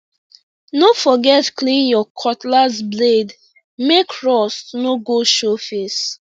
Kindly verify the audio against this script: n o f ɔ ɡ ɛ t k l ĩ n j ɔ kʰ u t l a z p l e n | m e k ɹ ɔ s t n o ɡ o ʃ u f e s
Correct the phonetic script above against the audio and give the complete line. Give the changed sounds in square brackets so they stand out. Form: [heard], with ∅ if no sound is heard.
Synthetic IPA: n o f ɔ ɡ ɛ t k l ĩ n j ɔ kʰ [ɔ] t l a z [b] l e [d] | m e k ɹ ɔ s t n o ɡ o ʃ [o] f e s